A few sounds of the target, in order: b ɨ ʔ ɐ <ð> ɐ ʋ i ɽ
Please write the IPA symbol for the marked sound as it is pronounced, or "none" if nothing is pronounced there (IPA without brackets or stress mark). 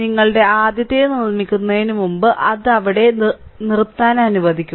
ð